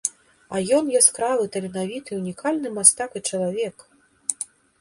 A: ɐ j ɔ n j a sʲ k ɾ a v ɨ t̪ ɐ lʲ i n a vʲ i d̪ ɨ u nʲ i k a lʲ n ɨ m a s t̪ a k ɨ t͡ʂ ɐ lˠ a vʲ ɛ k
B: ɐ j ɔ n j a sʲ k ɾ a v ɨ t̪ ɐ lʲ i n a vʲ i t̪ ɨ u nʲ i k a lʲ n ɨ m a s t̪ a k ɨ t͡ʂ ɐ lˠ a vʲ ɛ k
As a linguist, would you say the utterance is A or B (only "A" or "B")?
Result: B